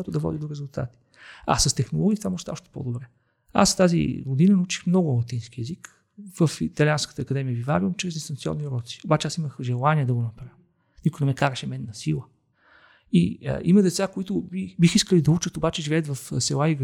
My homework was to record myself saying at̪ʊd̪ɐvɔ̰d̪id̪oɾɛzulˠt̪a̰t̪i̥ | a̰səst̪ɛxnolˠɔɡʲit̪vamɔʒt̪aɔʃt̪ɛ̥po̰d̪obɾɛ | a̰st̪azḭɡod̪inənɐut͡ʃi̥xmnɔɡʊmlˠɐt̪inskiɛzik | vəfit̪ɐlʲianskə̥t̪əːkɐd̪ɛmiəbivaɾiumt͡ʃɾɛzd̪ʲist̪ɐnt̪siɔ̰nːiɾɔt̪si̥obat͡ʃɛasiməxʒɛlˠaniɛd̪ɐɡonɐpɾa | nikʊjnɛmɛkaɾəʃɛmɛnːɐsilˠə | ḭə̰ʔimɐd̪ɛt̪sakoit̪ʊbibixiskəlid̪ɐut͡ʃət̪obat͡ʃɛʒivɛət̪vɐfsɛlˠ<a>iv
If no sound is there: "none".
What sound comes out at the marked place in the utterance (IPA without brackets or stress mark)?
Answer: a